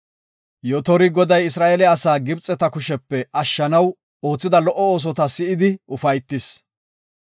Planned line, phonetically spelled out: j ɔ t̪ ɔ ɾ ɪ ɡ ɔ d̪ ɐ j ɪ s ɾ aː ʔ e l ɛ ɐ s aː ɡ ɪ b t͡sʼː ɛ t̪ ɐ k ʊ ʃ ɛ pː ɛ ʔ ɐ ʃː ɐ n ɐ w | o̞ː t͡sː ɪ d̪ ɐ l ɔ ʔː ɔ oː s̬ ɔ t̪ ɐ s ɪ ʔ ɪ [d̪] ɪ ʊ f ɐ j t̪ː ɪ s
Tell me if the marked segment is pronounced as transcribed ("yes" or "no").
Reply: yes